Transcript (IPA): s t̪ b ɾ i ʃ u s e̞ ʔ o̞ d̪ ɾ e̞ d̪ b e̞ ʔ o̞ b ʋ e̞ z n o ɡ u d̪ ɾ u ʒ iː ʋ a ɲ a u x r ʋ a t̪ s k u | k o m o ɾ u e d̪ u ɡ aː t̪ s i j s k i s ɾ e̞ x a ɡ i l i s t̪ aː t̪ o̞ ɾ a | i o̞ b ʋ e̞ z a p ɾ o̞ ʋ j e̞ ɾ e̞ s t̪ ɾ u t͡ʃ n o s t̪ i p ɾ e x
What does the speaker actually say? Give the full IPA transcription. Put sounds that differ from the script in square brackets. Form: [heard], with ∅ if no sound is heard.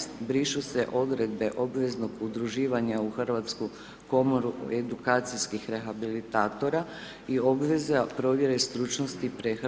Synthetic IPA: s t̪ b ɾ i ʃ u s e̞ ʔ o̞ d̪ ɾ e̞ d̪ b e̞ ʔ o̞ b ʋ e̞ z n o ɡ u d̪ ɾ u ʒ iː ʋ a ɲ a u x r ʋ a t̪ s k u | k o m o ɾ u e d̪ u [k] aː t̪ s i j s k i [x] ɾ e̞ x a [b] i l i [∅] t̪ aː t̪ o̞ ɾ a | i o̞ b ʋ e̞ z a p ɾ o̞ ʋ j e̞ ɾ e̞ s t̪ ɾ u t͡ʃ n o s t̪ i p ɾ e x